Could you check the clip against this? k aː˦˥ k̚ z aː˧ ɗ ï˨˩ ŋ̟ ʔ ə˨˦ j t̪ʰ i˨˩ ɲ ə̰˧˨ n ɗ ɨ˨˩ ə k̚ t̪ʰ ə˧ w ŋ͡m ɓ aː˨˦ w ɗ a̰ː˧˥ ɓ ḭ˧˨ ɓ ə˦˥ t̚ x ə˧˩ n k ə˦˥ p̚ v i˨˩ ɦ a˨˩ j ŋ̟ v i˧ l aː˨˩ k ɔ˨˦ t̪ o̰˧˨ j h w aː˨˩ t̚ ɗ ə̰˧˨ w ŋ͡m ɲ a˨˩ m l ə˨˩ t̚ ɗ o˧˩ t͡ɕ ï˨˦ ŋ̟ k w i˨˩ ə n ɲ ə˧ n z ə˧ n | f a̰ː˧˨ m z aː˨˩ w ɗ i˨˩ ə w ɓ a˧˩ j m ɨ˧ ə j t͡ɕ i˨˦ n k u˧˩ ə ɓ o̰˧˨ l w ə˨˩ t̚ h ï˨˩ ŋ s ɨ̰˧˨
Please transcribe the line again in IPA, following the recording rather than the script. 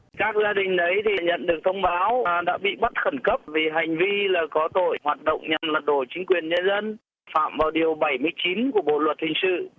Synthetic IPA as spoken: k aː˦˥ k̚ z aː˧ ɗ ï˨˩ ŋ̟ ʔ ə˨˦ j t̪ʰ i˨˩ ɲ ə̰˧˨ n ɗ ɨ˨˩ ə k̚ t̪ʰ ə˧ w ŋ͡m ɓ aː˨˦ w ɗ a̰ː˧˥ ɓ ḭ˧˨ ɓ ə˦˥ t̚ x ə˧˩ n k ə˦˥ p̚ v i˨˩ ɦ a˨˩ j ŋ̟ v i˧ l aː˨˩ k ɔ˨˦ t̪ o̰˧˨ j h w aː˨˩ t̚ ɗ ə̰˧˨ w ŋ͡m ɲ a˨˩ m l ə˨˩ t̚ ɗ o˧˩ t͡ɕ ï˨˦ ŋ̟ k w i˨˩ ə n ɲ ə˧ n z ə˧ n | f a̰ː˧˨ m v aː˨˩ w ɗ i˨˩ ə w ɓ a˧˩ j m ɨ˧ ə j t͡ɕ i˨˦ n k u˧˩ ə ɓ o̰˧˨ l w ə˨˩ t̚ h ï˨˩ ŋ s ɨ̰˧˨

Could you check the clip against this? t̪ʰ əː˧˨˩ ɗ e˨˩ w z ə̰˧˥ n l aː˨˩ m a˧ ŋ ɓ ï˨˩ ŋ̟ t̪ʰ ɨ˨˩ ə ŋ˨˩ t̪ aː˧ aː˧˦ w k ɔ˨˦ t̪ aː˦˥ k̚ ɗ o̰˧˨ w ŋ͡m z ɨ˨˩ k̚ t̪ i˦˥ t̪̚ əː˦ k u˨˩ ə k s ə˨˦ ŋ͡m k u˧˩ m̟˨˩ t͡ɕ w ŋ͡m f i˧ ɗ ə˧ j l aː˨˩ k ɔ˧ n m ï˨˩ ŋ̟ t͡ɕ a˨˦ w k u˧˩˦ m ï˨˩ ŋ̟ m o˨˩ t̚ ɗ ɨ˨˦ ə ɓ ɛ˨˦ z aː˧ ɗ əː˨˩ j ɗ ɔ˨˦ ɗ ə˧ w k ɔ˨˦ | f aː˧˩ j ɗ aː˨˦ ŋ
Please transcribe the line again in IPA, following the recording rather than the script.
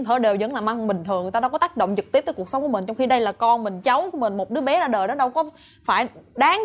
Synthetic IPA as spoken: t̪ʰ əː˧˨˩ ɗ e˨˩ w z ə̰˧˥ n l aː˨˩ m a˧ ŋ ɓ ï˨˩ ŋ̟ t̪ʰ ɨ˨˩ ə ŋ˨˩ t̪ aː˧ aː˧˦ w k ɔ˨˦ t̪ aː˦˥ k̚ ɗ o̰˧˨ w ŋ͡m z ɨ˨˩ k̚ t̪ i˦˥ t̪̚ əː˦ k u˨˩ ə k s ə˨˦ ŋ͡m k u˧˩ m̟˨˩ t͡ɕ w ŋ͡m x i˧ ɗ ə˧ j l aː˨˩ k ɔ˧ n m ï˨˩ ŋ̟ t͡ɕ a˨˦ w k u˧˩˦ m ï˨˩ ŋ̟ m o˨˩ t̚ ɗ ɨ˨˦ ə ɓ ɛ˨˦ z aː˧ ɗ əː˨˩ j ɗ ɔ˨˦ ɗ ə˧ w k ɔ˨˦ | f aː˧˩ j ɗ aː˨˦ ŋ

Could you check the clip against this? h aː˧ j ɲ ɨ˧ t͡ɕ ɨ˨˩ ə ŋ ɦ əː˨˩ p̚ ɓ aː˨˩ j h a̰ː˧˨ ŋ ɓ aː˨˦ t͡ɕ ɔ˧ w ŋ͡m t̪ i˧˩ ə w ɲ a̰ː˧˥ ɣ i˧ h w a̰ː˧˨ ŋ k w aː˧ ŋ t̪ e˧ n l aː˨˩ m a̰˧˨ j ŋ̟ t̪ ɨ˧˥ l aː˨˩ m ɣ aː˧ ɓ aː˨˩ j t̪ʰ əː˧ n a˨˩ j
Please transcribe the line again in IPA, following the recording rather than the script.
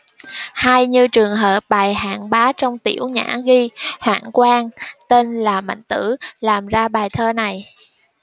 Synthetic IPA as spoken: h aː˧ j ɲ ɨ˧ t͡ɕ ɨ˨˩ ə ŋ ɦ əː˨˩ p̚ ɓ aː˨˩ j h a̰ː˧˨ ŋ ɓ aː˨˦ t͡ɕ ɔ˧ w ŋ͡m t̪ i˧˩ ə w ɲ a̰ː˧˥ ɣ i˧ h w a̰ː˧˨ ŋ k w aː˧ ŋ t̪ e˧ n l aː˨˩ m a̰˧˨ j ŋ̟ t̪ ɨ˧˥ l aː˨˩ m z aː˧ ɓ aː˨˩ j t̪ʰ əː˧ n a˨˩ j

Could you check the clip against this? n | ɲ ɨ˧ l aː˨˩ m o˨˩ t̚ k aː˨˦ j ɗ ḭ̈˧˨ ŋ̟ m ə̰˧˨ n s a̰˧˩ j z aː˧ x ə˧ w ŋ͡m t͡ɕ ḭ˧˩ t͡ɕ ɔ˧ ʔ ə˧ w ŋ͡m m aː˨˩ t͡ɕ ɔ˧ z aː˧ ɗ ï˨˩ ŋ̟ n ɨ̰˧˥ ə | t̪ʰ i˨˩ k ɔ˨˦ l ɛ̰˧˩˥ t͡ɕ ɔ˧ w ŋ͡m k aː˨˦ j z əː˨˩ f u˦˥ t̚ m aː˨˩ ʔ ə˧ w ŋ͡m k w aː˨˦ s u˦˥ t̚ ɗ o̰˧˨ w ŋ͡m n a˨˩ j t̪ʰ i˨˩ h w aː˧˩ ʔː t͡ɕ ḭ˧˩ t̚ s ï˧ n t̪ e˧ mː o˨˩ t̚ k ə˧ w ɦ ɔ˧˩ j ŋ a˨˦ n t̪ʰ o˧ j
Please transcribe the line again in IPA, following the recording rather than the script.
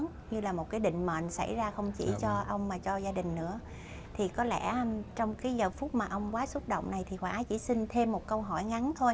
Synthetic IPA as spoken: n | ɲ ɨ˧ l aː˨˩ m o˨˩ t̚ k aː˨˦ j ɗ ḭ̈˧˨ ŋ̟ m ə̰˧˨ n s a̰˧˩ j z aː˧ x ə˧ w ŋ͡m t͡ɕ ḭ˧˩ t͡ɕ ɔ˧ ʔ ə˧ w ŋ͡m m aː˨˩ t͡ɕ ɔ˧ z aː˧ ɗ ï˨˩ ŋ̟ n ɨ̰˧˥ ə | t̪ʰ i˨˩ k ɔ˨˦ l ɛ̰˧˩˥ t͡ɕ ɔ˧ w ŋ͡m k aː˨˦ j z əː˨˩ f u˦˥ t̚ m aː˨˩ ʔ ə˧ w ŋ͡m k w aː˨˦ s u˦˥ t̚ ɗ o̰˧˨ w ŋ͡m n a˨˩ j t̪ʰ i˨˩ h w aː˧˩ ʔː t͡ɕ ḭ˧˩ s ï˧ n t̪ʰ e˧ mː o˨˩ t̚ k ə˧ w ɦ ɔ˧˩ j ŋ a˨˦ n t̪ʰ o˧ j

